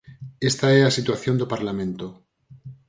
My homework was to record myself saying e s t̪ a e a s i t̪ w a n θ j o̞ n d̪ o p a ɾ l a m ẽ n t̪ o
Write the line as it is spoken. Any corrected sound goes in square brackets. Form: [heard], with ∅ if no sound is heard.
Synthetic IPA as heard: e s t̪ a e a s i t̪ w a [∅] θ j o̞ n d̪ o p a ɾ l a m ẽ n t̪ o

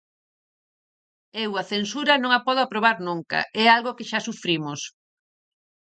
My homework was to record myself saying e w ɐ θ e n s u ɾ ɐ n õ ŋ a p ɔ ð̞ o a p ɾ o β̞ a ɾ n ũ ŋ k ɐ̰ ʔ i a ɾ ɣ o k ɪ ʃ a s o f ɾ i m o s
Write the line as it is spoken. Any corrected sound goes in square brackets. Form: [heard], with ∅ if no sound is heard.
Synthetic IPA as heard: e w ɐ θ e n s u ɾ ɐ n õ ŋ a p ɔ ð̞ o a p ɾ o β̞ a ɾ n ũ ŋ k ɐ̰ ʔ [ɛ] a [l] ɣ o k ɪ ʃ a s [u] f ɾ i m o s

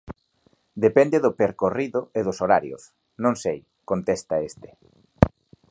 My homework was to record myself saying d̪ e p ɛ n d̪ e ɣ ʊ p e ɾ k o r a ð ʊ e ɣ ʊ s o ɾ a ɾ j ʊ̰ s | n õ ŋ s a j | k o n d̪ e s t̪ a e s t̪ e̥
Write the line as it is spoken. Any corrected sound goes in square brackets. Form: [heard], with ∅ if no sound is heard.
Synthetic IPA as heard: d̪ e p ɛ n d̪ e [ð] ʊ p e ɾ k o r [i] ð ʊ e [ð] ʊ s o ɾ a ɾ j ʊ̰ s | n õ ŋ s [e] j | k o n [t̪] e s t̪ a e s t̪ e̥

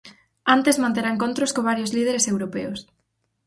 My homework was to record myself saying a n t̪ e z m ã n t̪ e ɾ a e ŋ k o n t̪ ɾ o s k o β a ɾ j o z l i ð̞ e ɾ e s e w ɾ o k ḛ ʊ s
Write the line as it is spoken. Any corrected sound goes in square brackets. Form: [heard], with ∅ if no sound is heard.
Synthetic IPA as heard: a n t̪ e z m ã n t̪ e ɾ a e ŋ k o n t̪ ɾ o s k o β a ɾ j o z l i ð̞ e ɾ e s e w ɾ o [p] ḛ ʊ s

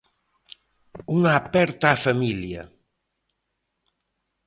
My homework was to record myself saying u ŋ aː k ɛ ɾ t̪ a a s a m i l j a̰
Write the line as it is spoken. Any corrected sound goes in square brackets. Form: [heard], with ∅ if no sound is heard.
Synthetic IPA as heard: u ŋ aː [p] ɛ ɾ t̪ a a [f] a m i l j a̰

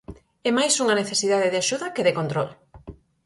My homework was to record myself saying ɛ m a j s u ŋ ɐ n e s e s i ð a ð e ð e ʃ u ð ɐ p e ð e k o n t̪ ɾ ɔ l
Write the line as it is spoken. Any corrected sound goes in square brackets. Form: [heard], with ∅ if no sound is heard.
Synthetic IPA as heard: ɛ m a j s u ŋ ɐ n e [θ] e s i ð a ð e ð [a] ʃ u ð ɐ [k] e ð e k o n t̪ ɾ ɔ l

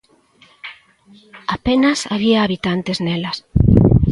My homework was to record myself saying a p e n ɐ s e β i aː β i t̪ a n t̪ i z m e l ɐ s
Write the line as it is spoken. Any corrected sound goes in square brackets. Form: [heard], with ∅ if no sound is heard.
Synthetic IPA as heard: a p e n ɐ s [a] β i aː β i t̪ a n t̪ [e] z [n] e l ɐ s

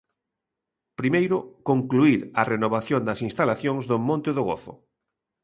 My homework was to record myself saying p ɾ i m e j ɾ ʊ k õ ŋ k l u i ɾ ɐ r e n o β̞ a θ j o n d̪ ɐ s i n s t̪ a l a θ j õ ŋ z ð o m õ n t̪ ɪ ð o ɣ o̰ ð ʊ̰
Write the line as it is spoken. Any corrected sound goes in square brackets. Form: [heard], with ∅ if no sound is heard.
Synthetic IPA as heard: p ɾ i m e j ɾ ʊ k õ ŋ k l u i ɾ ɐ r e n o β̞ a θ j o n d̪ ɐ s i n s t̪ a l a θ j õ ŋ z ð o m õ n t̪ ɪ ð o ɣ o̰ [θ] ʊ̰

